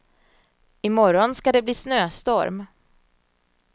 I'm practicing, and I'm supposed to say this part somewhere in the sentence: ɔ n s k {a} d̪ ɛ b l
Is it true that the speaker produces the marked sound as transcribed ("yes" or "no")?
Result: yes